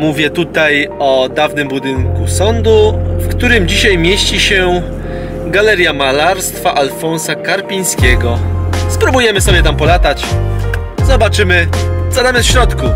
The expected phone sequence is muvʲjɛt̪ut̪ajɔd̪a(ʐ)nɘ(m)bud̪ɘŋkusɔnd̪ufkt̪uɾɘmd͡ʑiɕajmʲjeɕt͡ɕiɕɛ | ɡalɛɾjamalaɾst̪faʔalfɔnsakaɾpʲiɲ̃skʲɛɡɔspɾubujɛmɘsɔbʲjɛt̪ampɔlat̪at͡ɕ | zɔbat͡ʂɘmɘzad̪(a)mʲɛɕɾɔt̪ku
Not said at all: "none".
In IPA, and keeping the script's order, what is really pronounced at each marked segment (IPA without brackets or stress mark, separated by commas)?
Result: v, m, a